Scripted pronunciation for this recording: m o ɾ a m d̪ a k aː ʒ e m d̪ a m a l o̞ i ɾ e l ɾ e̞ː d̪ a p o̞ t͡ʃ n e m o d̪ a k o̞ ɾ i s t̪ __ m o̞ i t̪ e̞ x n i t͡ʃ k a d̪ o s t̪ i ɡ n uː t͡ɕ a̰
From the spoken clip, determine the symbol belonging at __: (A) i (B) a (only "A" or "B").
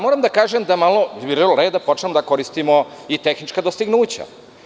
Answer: A